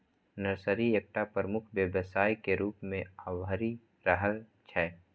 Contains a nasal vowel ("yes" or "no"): yes